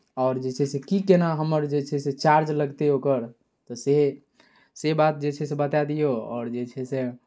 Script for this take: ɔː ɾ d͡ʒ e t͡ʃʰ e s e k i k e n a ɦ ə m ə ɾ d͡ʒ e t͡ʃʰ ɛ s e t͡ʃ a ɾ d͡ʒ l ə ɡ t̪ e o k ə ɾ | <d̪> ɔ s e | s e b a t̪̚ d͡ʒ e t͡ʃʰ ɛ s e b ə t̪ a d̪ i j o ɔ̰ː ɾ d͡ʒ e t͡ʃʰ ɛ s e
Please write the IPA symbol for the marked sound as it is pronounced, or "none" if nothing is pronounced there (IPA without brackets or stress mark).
t̪